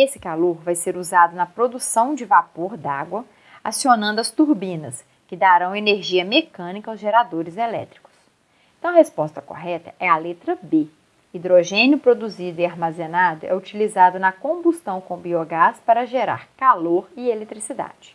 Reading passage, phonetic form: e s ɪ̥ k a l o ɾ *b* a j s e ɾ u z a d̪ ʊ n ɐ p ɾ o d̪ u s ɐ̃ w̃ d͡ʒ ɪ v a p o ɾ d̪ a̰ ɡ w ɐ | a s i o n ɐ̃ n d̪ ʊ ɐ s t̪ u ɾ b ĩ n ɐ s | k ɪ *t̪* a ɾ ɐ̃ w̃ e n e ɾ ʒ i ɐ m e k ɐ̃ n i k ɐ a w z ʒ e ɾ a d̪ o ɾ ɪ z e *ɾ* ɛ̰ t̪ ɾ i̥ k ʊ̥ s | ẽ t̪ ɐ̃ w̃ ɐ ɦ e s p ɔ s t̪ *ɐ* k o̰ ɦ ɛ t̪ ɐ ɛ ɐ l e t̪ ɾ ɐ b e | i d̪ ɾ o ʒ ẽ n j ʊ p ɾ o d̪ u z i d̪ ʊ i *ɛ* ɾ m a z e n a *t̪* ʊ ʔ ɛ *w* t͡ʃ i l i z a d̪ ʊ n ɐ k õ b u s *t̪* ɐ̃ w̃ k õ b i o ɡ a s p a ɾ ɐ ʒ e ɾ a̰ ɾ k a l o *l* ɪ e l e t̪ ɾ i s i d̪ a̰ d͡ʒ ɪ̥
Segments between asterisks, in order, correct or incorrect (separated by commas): incorrect, incorrect, incorrect, correct, incorrect, incorrect, incorrect, correct, incorrect